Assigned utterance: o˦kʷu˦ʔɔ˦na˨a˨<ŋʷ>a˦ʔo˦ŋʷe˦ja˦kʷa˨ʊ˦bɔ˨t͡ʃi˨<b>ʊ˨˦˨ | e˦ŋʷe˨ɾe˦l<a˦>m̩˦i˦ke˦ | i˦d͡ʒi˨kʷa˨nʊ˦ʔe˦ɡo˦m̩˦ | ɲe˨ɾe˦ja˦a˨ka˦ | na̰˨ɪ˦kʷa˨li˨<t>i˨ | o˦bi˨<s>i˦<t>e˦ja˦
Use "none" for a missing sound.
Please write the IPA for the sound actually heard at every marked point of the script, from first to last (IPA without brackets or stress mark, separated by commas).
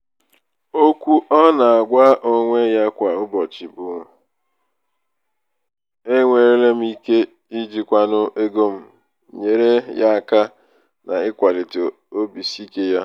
ɡʷ, b, e˦, t, s, k